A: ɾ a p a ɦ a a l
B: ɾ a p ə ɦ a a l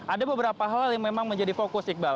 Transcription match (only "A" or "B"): A